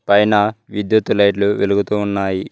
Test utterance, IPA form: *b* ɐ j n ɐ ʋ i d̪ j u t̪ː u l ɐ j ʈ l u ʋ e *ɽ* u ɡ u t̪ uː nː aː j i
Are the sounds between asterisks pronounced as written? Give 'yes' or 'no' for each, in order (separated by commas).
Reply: no, no